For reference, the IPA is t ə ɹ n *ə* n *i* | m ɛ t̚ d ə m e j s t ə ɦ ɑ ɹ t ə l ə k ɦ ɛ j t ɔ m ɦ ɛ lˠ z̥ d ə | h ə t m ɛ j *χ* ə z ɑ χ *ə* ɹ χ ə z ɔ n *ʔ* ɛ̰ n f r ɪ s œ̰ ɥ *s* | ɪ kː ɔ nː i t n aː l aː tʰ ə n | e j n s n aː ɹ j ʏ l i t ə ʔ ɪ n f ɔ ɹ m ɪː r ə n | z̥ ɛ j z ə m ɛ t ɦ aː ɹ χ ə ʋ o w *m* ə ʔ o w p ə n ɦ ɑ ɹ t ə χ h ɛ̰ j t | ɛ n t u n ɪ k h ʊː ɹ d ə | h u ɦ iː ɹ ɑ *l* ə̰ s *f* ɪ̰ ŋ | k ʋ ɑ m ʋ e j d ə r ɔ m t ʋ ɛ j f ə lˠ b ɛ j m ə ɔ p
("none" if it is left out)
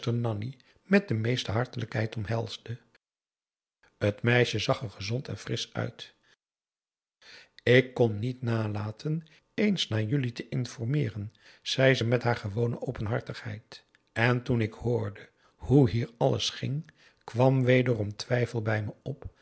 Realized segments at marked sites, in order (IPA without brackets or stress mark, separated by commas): ɑ, i, ʃ, ə, t, t, n, l, χ